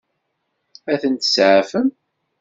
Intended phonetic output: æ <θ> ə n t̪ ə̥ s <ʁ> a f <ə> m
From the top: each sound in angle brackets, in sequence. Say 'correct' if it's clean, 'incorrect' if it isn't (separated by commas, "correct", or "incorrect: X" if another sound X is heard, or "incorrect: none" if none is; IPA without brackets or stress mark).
correct, incorrect: ʕ, correct